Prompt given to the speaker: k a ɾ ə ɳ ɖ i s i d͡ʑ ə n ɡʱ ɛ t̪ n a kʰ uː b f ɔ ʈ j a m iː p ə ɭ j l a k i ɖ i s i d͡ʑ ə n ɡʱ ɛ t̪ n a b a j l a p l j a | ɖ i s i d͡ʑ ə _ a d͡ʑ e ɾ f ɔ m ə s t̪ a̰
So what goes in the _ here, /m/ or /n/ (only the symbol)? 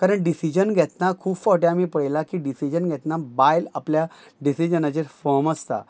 n